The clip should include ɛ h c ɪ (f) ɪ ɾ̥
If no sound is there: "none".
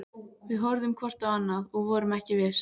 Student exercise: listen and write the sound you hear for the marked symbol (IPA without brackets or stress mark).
v